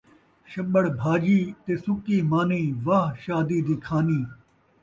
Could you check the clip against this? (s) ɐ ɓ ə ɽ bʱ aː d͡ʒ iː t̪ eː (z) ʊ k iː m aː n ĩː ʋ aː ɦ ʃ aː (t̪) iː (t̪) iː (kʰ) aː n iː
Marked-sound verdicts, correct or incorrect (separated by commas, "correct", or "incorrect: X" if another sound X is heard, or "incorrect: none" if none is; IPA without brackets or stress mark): incorrect: ʃ, incorrect: s, incorrect: d̪, incorrect: d̪, correct